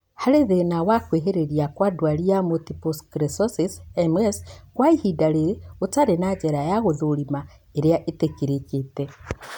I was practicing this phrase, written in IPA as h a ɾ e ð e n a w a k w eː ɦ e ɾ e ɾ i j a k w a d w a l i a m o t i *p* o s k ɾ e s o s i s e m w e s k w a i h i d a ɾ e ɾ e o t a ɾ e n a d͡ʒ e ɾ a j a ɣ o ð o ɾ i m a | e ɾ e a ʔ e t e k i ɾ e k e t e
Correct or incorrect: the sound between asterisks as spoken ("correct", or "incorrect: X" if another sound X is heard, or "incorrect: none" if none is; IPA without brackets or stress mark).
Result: correct